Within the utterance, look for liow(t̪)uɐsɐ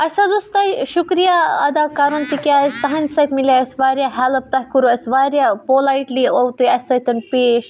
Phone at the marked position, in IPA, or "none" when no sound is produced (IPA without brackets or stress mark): t̪